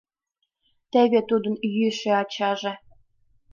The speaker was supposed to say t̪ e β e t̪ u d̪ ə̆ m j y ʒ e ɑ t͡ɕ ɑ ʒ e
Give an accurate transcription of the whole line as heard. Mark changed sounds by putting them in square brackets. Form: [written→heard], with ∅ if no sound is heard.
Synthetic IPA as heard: t̪ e β e t̪ u d̪ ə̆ [m→n] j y [ʒ→ʃ] e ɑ t͡ɕ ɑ ʒ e